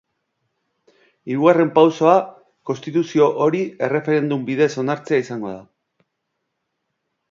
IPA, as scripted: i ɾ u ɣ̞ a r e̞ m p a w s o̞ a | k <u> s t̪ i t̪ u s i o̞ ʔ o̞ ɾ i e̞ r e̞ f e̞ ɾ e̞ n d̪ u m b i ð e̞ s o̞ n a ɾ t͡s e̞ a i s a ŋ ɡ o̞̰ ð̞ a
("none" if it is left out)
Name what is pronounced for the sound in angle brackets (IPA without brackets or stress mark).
o